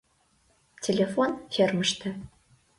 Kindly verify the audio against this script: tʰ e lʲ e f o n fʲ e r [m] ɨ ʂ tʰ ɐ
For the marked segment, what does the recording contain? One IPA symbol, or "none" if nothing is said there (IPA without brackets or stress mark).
m